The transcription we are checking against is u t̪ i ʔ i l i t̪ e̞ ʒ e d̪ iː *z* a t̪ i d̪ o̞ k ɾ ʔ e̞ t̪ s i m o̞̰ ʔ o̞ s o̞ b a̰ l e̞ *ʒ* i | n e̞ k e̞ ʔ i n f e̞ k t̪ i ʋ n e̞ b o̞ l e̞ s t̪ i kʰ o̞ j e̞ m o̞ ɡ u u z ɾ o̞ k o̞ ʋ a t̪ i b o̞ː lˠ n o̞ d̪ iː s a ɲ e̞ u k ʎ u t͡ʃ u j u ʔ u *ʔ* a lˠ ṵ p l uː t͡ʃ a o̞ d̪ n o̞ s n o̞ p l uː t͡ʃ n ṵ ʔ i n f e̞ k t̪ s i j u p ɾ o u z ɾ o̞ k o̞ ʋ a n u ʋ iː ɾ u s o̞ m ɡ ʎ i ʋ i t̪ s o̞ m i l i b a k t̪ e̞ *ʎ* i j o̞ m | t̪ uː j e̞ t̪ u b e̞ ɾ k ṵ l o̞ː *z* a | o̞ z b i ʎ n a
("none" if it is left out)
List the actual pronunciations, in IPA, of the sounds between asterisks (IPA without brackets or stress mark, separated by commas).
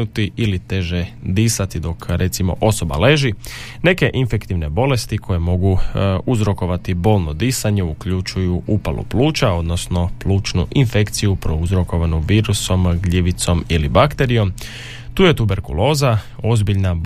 s, ʒ, p, ɾ, z